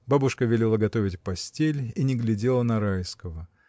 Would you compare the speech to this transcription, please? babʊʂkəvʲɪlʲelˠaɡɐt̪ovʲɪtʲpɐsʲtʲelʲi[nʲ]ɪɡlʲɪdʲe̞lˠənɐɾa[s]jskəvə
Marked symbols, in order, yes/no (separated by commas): yes, no